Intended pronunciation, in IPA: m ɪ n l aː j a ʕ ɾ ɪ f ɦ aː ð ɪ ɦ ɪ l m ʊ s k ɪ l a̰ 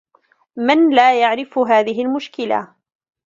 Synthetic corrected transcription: m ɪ n l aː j a ʕ ɾ ɪ f ɦ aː ð ɪ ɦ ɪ l m ʊ ʃ k ɪ l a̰